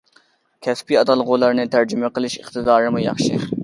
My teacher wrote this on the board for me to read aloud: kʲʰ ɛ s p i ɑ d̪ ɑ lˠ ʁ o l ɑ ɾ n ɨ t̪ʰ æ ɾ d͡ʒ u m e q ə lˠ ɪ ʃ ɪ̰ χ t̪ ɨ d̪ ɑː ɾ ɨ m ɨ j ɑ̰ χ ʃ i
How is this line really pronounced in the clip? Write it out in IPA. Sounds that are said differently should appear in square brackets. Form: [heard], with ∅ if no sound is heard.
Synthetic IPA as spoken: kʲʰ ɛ s p i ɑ d̪ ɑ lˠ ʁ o l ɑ ɾ n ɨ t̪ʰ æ ɾ d͡ʒ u m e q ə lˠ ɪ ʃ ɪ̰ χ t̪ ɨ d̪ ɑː ɾ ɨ m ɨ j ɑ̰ χ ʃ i